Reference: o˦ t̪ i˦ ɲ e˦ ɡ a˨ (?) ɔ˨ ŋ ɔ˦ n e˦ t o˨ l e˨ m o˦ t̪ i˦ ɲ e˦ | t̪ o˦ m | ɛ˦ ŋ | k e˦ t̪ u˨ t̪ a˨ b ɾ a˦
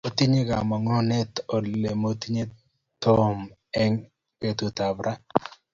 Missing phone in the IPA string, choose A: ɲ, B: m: B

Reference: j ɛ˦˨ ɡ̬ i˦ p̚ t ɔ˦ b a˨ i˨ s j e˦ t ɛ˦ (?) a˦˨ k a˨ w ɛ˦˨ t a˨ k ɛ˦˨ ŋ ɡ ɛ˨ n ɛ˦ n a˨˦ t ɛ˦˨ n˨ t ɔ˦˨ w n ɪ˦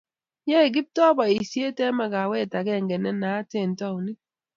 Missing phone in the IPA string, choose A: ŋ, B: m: B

